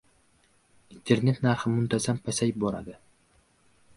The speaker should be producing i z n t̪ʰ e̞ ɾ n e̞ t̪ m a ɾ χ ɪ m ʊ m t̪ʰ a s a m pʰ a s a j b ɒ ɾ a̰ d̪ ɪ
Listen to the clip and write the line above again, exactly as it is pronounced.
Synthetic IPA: i n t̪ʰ e̞ ɾ n e̞ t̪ n a ɾ χ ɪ m ʊ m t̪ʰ a z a m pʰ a s a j b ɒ ɾ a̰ d̪ ɪ